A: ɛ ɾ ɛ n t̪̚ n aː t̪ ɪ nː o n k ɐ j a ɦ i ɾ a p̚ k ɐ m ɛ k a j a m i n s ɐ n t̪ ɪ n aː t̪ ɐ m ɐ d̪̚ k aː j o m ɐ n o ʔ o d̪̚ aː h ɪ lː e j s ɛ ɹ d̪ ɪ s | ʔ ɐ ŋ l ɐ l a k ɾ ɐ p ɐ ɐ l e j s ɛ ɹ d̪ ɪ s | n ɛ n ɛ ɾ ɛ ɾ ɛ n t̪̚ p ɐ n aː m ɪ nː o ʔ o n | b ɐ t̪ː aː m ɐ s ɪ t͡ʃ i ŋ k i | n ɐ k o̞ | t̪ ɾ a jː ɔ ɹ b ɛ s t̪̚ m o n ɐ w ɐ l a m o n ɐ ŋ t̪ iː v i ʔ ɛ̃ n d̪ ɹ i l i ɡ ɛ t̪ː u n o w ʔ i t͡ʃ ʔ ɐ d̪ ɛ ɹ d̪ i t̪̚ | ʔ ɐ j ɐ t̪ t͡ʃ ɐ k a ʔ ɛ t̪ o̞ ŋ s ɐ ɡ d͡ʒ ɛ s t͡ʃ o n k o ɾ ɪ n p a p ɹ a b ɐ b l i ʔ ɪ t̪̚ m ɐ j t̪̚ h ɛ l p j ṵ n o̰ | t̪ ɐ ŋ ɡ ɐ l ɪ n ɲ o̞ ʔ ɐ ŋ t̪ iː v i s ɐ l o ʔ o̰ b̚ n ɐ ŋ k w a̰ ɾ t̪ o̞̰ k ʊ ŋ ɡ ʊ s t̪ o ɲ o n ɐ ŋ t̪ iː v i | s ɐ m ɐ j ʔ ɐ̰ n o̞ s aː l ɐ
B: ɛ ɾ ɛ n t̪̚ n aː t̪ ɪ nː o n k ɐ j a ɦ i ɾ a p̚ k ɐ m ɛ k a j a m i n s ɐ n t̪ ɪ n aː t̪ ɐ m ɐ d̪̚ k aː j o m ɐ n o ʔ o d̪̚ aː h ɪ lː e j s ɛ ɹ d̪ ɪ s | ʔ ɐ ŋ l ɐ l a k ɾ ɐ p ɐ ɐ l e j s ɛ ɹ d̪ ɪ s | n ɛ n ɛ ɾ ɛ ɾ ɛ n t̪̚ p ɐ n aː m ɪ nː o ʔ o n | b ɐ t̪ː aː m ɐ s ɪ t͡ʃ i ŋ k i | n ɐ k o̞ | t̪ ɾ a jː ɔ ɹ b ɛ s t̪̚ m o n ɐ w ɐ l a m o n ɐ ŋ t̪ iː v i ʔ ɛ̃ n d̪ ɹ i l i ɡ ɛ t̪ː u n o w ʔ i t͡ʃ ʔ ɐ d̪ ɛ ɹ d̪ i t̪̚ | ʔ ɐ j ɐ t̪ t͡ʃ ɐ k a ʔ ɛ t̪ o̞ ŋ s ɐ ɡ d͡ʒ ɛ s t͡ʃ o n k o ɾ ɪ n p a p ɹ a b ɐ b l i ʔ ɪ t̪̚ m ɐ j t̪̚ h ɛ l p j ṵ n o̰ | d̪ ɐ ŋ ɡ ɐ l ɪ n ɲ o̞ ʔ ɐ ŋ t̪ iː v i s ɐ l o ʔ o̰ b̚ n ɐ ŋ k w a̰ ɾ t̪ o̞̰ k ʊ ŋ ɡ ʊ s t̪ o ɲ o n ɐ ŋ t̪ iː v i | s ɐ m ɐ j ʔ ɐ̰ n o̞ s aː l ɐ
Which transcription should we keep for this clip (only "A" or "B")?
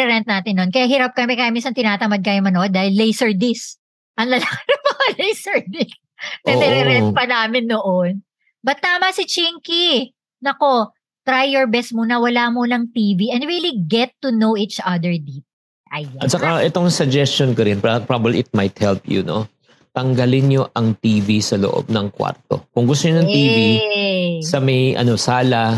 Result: A